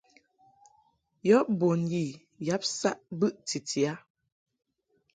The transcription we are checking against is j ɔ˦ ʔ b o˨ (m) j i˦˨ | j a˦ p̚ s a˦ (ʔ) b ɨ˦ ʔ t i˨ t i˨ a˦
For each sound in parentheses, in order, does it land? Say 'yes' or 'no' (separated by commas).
no, yes